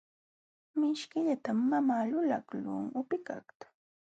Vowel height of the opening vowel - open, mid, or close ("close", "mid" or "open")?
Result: close